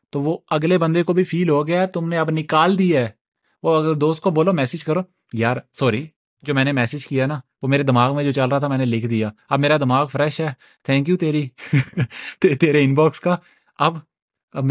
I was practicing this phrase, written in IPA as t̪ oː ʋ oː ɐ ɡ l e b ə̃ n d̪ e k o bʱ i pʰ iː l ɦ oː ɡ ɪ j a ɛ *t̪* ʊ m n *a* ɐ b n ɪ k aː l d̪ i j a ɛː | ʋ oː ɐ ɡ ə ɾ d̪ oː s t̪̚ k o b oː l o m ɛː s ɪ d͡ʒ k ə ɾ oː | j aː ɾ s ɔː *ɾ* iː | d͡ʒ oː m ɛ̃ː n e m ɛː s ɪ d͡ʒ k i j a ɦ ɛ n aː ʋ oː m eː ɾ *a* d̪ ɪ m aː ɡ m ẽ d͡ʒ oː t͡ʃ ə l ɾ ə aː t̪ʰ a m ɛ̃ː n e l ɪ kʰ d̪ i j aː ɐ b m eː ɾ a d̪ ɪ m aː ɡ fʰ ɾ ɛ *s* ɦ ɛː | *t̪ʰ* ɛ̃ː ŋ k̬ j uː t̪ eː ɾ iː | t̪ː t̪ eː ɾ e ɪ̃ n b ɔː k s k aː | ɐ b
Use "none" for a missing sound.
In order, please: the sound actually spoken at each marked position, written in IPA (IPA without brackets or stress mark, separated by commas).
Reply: t̪, e, ɾ, e, ʃ, t̪ʰ